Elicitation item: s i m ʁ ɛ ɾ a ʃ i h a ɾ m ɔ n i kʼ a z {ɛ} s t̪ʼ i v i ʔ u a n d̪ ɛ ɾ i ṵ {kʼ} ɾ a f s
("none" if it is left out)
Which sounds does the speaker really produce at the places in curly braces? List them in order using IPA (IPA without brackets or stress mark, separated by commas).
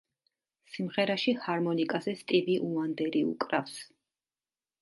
ɛ, kʼ